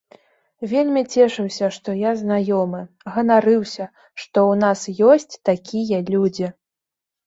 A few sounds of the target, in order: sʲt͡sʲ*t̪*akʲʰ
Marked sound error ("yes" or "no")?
no